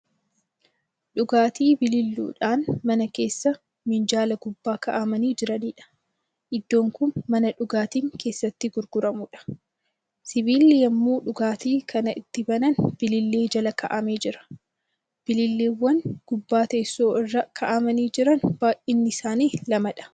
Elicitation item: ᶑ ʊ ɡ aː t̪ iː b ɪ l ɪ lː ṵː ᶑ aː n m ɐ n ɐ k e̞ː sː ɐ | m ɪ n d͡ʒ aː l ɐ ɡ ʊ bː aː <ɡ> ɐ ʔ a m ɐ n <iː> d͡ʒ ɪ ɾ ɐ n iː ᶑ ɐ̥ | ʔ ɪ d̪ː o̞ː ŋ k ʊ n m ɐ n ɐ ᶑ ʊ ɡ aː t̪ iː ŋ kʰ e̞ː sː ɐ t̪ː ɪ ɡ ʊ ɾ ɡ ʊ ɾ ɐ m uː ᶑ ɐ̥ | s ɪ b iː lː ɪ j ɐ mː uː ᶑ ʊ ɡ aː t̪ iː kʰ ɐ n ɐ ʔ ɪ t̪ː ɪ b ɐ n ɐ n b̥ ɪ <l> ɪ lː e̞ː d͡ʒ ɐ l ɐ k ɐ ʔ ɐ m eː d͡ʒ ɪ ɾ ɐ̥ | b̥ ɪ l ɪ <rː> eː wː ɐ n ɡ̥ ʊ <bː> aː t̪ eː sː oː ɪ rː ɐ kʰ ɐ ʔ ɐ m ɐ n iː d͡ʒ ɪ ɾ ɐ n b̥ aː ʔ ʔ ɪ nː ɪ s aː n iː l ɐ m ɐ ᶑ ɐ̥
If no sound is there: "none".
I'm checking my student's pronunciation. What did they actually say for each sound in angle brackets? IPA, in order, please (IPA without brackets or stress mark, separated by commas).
k, iː, l, lː, bː